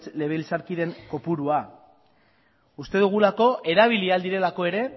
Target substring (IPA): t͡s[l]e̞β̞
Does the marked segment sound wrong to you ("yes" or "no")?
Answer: no